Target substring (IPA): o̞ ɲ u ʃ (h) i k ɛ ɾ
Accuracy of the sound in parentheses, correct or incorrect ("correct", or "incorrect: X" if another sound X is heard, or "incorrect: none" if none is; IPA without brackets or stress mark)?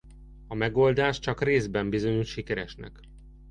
incorrect: ʃ